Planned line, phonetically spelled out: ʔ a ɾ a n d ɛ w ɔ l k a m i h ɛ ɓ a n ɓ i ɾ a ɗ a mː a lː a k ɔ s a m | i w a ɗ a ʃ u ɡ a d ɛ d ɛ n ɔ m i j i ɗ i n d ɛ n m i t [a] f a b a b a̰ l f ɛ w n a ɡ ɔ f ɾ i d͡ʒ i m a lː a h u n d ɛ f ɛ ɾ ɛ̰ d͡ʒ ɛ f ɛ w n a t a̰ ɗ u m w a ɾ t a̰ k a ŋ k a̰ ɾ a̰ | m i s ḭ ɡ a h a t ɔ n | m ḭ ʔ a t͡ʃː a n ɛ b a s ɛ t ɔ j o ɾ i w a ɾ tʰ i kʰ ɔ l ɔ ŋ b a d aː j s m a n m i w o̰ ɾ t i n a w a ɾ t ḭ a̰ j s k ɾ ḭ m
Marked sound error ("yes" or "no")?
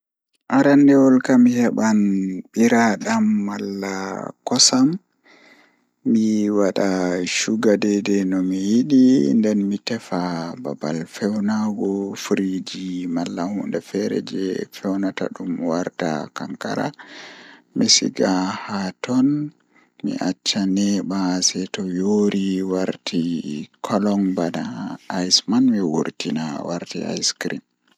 yes